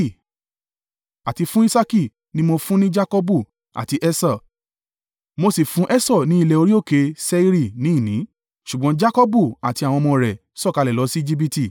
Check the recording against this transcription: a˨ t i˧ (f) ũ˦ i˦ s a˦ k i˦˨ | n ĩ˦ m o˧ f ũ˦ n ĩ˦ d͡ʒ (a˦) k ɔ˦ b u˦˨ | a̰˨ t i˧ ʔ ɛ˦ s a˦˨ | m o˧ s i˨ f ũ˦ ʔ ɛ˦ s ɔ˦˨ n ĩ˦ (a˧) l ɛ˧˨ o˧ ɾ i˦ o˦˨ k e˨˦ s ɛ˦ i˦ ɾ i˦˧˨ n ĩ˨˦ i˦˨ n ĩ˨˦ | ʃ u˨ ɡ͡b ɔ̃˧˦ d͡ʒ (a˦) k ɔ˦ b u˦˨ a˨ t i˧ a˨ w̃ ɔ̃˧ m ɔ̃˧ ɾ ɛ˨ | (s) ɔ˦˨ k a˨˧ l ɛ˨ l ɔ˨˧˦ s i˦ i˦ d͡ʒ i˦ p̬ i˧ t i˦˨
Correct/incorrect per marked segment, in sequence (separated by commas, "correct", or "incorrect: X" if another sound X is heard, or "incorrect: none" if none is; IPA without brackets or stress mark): correct, correct, incorrect: i˧, correct, correct